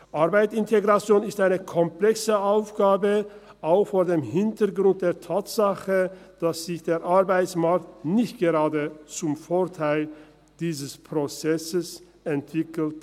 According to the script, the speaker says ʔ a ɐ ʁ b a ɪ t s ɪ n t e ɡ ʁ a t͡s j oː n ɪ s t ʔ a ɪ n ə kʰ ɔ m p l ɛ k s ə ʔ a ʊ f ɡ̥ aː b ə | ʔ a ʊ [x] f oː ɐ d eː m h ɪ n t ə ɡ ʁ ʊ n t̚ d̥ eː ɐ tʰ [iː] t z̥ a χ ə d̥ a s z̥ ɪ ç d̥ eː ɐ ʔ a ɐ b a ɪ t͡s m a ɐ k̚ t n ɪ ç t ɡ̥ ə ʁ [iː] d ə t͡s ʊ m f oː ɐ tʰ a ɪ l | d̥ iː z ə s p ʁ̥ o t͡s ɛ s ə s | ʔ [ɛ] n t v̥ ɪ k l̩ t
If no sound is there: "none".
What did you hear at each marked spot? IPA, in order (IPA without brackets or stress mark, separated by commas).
x, aː, aː, ɛ